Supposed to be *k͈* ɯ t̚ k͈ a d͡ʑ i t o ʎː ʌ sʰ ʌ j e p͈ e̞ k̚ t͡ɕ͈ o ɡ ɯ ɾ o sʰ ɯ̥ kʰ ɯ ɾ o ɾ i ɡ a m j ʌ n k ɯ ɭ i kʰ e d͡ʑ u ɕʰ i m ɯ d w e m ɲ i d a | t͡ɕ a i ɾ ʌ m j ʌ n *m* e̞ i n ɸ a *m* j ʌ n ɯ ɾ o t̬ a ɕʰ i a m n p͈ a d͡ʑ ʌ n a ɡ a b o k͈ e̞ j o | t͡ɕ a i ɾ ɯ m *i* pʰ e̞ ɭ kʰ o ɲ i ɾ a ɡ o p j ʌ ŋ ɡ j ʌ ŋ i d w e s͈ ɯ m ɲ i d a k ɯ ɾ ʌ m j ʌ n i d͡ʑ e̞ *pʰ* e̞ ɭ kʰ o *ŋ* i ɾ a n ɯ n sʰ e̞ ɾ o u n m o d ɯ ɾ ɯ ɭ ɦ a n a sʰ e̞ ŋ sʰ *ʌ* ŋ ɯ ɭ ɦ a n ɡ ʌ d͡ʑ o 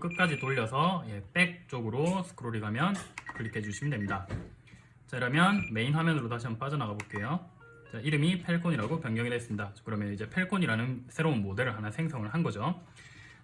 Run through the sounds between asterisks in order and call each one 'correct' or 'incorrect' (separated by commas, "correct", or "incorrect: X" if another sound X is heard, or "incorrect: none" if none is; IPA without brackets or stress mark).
correct, correct, correct, correct, correct, incorrect: ɲ, correct